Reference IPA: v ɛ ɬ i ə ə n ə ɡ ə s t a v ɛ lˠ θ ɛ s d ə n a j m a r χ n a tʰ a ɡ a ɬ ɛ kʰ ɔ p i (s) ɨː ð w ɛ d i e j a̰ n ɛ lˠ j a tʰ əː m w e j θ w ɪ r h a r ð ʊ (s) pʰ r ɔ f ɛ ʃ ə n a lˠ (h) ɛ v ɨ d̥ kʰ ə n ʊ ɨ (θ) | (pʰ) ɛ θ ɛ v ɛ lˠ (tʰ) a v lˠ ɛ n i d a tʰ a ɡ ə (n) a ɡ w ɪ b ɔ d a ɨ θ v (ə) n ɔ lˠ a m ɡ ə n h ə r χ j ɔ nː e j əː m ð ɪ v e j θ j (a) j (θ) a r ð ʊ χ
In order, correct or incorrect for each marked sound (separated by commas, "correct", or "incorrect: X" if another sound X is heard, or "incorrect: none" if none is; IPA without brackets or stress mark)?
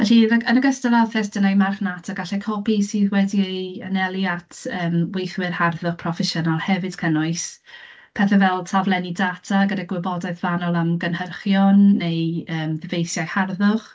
correct, incorrect: χ, correct, incorrect: s, correct, correct, incorrect: d, incorrect: a, correct, incorrect: h